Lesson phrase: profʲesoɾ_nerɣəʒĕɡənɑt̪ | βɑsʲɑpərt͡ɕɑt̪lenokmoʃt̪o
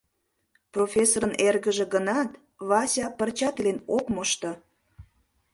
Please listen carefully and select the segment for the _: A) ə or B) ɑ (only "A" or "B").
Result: A